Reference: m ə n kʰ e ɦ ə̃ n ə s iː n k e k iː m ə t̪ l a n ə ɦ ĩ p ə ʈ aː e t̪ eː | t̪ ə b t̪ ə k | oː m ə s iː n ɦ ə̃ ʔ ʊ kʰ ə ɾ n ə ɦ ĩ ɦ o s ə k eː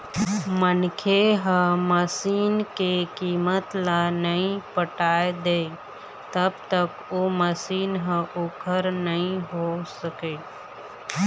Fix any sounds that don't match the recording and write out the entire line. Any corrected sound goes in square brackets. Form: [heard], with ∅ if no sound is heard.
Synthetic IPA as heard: m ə n kʰ e ɦ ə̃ [m] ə s iː n k e k iː m ə t̪ l a n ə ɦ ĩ p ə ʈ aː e [d̪] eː | t̪ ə b t̪ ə k | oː m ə s iː n ɦ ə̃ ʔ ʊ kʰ ə ɾ n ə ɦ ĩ ɦ o s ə k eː